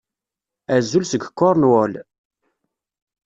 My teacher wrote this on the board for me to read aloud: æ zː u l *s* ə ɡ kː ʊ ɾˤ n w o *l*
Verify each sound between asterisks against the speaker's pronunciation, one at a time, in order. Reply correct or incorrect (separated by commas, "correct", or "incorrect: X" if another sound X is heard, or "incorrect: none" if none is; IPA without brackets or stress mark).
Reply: correct, correct